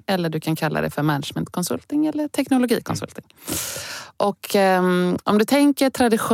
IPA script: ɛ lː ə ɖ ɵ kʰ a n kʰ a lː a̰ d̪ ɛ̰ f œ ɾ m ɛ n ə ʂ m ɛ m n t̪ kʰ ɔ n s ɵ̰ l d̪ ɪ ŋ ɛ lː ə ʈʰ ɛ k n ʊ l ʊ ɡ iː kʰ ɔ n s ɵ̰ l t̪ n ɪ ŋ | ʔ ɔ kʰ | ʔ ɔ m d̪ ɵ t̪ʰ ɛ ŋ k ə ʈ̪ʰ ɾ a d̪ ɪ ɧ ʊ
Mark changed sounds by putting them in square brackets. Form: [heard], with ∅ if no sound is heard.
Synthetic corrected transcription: ɛ lː ə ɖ ɵ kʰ a n kʰ a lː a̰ d̪ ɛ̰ f œ ɾ m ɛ n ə ʂ m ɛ [∅] n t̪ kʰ ɔ n s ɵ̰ l [t̪] ɪ ŋ ɛ lː ə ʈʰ ɛ k n ʊ l ʊ ɡ iː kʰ ɔ n s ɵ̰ l t̪ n ɪ ŋ | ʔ ɔ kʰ | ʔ ɔ m d̪ ɵ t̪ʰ ɛ ŋ k ə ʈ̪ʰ ɾ a d̪ ɪ ɧ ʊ